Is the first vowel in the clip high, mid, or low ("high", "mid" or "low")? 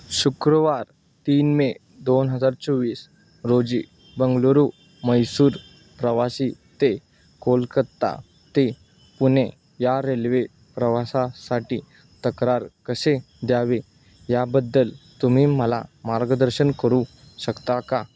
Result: high